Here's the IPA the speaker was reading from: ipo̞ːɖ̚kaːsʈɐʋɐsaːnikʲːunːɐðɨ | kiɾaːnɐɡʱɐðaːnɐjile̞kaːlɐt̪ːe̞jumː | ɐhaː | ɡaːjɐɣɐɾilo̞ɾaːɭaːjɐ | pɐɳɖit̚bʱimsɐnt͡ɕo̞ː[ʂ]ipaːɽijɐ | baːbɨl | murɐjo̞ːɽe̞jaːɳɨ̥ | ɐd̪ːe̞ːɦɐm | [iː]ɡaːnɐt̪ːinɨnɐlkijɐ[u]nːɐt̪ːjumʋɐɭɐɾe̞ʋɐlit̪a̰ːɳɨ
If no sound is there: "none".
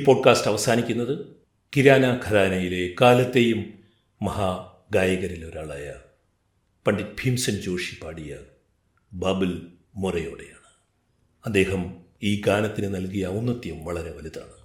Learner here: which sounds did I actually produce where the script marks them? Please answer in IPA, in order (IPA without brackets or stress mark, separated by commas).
ʂ, iː, u